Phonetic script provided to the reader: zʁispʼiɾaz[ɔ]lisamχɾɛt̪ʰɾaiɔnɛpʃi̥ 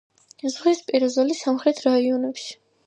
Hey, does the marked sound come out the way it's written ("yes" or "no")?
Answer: yes